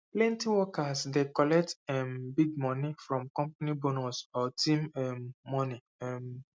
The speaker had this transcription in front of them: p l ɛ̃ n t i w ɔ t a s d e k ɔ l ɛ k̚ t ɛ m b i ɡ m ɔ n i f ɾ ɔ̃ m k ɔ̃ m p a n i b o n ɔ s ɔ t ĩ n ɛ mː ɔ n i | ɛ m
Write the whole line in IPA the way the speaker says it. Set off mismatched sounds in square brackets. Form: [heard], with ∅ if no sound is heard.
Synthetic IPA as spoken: p l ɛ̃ n t i w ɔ [k] a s d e k ɔ l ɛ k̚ t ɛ m b i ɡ m ɔ n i f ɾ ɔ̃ m k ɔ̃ m p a n i b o n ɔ s ɔ t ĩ [m] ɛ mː ɔ n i | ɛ m